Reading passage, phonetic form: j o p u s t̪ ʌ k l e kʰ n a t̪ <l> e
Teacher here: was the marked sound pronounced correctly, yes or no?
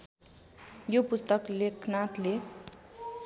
yes